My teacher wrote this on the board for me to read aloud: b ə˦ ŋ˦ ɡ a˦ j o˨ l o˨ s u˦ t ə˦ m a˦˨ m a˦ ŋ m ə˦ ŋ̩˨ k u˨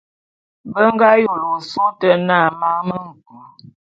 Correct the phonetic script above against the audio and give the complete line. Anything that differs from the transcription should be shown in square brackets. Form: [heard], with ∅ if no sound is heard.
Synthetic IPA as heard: b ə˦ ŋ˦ ɡ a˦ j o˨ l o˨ s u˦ t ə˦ [n] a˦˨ m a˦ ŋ m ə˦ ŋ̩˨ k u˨